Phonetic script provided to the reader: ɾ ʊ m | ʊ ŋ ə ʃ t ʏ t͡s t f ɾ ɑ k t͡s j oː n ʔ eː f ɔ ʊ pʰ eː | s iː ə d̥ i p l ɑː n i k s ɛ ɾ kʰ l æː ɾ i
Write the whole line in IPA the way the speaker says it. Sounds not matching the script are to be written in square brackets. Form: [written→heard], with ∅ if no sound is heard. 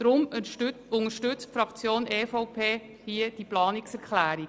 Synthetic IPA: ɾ ʊ m | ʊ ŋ ə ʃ t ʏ t͡s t f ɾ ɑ k t͡s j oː n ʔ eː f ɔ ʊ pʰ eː | [s→h] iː ə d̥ i p l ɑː n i k s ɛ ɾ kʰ l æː ɾ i